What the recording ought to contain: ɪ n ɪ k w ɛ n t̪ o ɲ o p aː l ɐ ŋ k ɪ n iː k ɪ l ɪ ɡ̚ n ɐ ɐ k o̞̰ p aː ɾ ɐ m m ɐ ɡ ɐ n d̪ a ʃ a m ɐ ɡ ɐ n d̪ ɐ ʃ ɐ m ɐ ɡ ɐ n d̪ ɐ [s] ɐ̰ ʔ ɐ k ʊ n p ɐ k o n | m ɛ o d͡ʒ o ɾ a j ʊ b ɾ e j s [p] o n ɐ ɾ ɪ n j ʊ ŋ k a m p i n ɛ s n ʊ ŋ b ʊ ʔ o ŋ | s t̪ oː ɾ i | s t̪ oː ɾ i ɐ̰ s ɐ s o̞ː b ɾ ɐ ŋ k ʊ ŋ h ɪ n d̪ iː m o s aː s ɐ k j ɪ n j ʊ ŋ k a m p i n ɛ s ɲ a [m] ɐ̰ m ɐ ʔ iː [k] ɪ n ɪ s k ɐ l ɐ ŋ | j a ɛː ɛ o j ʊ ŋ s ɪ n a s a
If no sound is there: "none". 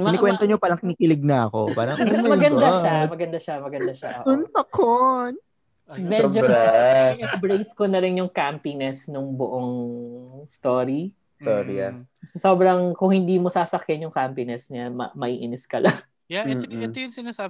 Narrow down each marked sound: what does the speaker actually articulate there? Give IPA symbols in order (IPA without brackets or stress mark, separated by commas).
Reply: ʃ, k, m, ʔ